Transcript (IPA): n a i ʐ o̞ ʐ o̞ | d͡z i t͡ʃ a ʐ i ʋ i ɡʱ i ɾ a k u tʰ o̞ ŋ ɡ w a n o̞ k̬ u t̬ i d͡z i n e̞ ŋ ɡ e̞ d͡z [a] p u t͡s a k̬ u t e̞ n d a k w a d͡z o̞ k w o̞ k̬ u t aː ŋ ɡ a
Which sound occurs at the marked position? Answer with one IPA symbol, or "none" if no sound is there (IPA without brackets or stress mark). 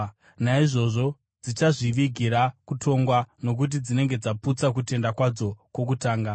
a